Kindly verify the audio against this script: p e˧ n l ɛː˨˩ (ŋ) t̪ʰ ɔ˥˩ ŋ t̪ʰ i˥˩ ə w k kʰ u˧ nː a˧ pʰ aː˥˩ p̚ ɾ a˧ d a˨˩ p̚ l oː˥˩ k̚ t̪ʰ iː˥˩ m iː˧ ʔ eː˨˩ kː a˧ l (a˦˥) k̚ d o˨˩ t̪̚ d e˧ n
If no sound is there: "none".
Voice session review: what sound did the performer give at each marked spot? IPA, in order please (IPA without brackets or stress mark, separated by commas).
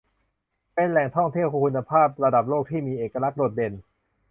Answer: ŋ, a˦˥